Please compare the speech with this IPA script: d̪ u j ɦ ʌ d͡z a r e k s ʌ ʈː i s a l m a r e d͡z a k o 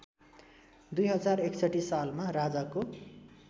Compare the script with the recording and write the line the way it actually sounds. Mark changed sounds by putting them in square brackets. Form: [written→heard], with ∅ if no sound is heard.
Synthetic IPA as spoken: d̪ u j ɦ ʌ d͡z a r e k s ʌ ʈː i s a l m a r [e→a] d͡z a k o